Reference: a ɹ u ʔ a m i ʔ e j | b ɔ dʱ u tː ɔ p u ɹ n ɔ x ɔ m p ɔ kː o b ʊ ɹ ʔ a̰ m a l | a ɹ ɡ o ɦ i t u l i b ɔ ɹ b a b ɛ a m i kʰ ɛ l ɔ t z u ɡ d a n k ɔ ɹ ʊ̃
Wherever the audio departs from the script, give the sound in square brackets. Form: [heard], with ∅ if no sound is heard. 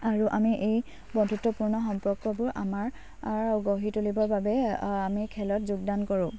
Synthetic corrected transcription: a ɹ u ʔ a m i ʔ e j | b ɔ dʱ u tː ɔ p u ɹ n ɔ x ɔ m p ɔ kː [ɔ] b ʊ ɹ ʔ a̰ m a [ɹ] | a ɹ ɡ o ɦ i t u l i b ɔ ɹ b a b ɛ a m i kʰ ɛ l ɔ t z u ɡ d a n k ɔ ɹ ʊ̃